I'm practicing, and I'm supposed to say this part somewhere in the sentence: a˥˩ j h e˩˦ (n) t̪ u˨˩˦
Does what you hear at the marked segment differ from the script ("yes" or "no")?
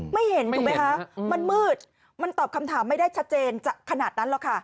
no